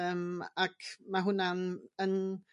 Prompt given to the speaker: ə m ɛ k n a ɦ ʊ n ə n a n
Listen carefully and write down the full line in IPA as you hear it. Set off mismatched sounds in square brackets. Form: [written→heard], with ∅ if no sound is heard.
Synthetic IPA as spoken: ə m [ɛ→a] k [n→m] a ɦ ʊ n [ə→a] n [a→ə] n